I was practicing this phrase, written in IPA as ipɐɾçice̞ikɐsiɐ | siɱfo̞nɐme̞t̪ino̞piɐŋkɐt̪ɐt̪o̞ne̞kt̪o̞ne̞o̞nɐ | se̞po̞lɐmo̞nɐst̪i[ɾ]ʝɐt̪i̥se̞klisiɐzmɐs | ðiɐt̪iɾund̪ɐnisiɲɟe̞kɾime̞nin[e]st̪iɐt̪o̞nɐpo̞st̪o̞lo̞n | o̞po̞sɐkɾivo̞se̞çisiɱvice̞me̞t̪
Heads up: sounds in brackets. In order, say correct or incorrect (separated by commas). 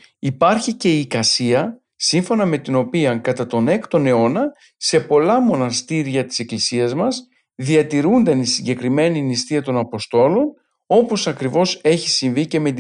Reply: correct, incorrect